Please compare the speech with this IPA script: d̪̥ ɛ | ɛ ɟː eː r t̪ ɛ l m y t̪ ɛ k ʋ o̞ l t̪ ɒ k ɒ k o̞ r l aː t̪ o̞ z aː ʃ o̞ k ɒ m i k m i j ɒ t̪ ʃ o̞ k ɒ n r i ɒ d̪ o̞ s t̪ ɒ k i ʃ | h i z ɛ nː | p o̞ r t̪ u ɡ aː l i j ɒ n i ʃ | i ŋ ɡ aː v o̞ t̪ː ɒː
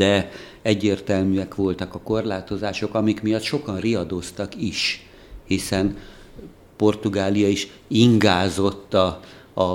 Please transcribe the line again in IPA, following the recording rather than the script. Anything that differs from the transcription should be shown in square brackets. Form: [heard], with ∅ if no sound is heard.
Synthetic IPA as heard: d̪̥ ɛ | ɛ ɟː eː r t̪ ɛ l m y [∅] ɛ k ʋ o̞ l t̪ ɒ k ɒ k o̞ r l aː t̪ o̞ z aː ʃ o̞ k ɒ m i k m i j ɒ t̪ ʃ o̞ k ɒ n r i ɒ d̪ o̞ s t̪ ɒ k i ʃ | h i [s] ɛ [n] | p o̞ r t̪ u ɡ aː l i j ɒ [∅] i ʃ | i ŋ ɡ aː [z] o̞ t̪ː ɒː